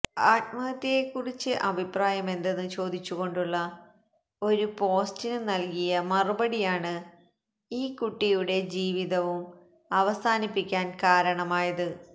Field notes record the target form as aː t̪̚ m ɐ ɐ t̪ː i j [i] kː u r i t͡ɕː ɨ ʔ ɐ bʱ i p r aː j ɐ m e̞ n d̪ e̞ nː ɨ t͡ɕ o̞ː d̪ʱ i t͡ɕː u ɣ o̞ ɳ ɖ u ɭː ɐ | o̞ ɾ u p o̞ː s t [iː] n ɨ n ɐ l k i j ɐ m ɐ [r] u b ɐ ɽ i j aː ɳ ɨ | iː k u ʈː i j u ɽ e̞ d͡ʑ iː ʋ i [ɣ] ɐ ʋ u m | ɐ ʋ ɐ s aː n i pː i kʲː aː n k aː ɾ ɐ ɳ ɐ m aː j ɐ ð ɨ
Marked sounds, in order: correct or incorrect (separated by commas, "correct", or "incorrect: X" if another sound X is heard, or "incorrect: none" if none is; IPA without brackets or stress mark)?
incorrect: e, incorrect: i, correct, incorrect: ð